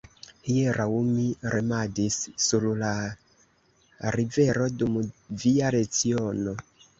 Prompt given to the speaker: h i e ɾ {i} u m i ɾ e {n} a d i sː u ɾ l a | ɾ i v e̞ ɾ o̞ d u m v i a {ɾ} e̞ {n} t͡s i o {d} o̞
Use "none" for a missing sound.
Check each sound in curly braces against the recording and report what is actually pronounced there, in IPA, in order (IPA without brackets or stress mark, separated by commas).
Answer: a, m, ɾ, none, n